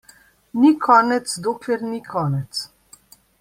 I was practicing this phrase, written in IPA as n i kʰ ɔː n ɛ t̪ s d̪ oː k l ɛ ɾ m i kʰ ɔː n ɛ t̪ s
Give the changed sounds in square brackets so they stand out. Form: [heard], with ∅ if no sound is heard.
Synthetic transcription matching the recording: n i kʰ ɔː n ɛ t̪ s d̪ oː k l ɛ ɾ [n] i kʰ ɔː n ɛ t̪ s